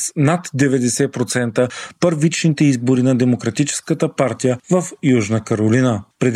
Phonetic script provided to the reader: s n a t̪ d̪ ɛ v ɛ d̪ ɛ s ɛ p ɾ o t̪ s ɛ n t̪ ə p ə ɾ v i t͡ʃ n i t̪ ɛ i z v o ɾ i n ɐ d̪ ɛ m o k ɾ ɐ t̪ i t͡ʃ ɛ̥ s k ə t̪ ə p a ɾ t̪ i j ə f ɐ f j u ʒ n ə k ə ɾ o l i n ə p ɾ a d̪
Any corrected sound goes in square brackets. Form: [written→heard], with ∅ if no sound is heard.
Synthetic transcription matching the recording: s n a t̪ d̪ ɛ v ɛ d̪ ɛ s ɛ p ɾ o t̪ s ɛ n t̪ ə p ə ɾ v i t͡ʃ n i t̪ ɛ i z [v→b] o ɾ i n ɐ d̪ ɛ m o k ɾ ɐ t̪ i t͡ʃ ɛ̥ s k ə t̪ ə p a ɾ t̪ i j ə [f→v] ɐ f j u ʒ n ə k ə ɾ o l i n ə p ɾ [a→ɛ] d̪